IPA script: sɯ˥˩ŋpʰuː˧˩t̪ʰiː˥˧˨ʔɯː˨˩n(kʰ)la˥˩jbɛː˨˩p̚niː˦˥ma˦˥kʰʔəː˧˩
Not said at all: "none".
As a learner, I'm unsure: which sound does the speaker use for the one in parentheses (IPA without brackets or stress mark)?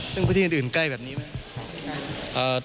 k